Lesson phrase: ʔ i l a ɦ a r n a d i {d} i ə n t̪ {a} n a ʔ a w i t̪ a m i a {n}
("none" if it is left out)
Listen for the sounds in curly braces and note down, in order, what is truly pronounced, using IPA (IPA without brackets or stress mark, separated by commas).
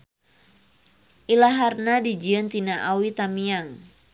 d͡ʒ, i, ŋ